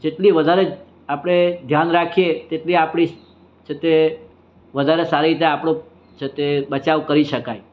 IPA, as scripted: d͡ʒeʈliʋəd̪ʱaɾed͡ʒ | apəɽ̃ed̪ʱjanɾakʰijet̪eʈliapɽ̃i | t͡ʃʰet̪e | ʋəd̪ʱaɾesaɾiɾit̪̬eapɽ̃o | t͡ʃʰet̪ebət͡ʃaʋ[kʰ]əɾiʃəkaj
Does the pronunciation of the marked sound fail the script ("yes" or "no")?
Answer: yes